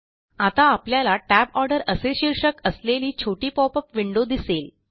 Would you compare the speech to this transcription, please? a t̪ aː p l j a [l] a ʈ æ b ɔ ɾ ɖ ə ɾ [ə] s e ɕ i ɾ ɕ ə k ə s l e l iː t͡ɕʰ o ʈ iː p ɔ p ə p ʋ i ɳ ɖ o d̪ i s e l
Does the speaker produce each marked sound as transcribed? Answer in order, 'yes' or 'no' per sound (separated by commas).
yes, yes